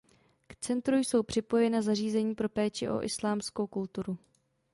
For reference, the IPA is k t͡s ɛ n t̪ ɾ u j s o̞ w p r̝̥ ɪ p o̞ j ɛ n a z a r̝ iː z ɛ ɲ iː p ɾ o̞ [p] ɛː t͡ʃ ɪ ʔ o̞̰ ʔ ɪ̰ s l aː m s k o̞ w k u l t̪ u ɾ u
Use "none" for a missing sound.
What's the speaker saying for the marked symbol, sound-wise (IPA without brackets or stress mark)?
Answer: p